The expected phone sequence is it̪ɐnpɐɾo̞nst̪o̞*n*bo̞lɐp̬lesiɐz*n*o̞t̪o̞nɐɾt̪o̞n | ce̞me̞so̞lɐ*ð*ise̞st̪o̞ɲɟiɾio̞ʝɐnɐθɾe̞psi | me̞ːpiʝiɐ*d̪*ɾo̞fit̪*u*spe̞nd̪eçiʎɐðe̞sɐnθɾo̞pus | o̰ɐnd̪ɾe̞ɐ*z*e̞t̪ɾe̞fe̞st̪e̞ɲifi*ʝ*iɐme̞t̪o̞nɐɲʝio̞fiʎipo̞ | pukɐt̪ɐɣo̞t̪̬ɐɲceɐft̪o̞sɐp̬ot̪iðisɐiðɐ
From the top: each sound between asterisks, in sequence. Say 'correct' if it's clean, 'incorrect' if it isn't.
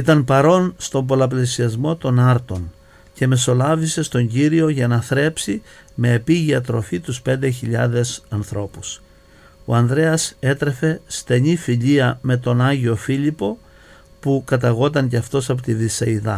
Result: incorrect: m, incorrect: m, incorrect: v, incorrect: t̪, correct, incorrect: s, incorrect: ʎ

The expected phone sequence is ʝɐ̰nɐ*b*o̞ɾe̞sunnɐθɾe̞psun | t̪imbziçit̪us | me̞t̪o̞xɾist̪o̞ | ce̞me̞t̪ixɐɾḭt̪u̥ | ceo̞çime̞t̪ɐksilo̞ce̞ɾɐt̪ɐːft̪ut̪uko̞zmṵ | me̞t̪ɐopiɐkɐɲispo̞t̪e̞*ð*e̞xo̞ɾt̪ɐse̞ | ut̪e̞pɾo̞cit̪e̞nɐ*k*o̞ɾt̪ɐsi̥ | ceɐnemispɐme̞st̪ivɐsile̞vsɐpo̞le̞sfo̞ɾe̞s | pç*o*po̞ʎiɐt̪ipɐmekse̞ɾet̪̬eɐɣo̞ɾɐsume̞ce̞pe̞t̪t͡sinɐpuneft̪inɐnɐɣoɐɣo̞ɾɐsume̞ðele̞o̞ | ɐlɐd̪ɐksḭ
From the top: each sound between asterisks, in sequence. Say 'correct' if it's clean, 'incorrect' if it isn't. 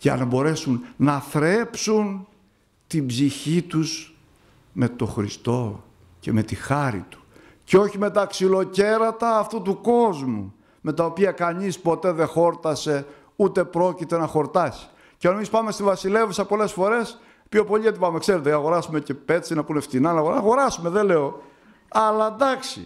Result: correct, correct, incorrect: x, correct

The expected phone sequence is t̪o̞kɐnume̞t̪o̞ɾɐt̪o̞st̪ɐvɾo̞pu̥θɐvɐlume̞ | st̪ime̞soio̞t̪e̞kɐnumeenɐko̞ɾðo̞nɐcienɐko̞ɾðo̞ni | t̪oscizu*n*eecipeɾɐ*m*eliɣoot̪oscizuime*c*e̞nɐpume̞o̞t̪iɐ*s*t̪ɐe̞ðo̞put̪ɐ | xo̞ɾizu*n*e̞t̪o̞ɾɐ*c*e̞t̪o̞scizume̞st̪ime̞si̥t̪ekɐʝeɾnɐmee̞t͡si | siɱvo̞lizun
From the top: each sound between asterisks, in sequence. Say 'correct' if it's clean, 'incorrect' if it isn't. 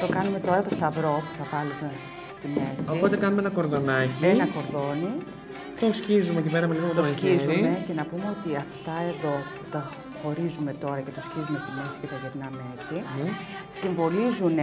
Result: incorrect: m, correct, correct, incorrect: f, incorrect: m, correct

